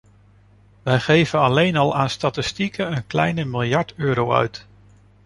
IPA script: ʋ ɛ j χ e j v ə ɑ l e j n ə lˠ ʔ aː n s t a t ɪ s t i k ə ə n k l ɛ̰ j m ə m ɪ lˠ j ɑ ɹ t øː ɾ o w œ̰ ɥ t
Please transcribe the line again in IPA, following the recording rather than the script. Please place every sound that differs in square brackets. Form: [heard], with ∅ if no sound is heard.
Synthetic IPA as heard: ʋ ɛ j χ e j v ə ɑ l e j n [ɑ] lˠ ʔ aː n s t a t ɪ s t i k ə ə n k l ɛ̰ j [n] ə m ɪ lˠ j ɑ ɹ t øː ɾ o w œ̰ ɥ t